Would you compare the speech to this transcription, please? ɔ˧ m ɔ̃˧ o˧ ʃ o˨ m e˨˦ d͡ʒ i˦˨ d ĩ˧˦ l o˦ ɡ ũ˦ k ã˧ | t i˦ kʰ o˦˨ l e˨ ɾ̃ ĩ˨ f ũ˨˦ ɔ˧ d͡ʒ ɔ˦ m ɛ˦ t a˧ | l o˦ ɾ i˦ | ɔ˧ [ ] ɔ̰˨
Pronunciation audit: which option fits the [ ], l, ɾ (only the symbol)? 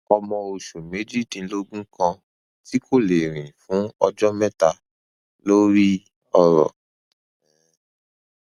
ɾ